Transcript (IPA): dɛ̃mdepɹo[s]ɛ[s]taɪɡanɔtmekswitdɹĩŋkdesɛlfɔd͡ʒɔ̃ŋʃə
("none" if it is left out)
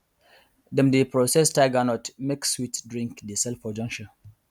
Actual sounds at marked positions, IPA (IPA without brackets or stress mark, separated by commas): s, s